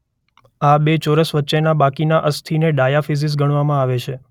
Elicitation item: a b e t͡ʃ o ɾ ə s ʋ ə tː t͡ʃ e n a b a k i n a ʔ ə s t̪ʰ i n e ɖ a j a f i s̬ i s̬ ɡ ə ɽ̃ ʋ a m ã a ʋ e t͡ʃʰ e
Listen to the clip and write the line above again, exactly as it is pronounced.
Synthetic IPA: a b e t͡ʃ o ɾ ə s ʋ ə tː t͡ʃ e n a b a k i n a ʔ ə s t̪ʰ i n e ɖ a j a f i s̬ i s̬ ɡ ə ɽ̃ ʋ a m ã a ʋ e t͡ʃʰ e